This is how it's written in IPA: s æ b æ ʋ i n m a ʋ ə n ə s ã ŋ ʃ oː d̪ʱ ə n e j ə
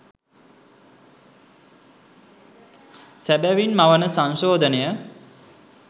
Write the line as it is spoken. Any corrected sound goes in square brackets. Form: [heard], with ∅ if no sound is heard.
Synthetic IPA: s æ b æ ʋ i n m a ʋ ə n ə s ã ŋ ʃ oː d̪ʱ ə n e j ə